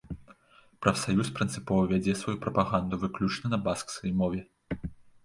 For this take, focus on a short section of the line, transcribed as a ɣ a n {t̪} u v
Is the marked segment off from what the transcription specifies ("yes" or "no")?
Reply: yes